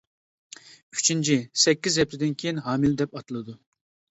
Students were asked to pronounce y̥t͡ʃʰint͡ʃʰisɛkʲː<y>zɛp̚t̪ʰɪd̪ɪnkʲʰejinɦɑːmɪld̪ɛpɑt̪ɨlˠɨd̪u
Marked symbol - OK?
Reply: no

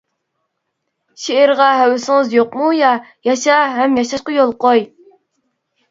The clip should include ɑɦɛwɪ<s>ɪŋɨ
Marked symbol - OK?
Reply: yes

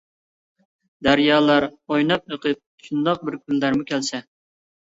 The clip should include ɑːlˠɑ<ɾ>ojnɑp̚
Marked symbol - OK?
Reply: yes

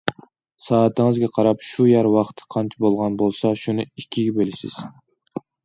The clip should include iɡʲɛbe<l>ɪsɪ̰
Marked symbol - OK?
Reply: yes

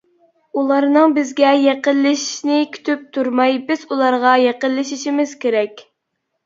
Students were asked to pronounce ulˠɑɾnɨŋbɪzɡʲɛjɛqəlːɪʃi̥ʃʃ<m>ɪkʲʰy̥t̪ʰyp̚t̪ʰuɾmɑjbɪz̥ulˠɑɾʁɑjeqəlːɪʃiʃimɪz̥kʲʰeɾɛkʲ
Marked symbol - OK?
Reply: no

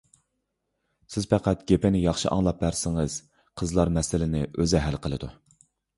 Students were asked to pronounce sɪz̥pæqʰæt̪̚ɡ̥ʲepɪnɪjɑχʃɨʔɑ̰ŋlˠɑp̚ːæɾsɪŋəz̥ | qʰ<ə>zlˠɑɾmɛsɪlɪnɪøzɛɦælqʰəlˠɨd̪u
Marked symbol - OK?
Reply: yes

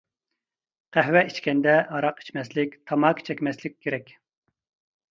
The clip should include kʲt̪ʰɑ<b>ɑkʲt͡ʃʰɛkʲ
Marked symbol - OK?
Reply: no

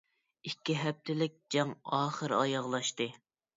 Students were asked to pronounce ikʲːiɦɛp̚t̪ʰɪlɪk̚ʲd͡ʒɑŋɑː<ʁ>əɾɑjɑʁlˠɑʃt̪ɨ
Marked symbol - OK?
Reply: no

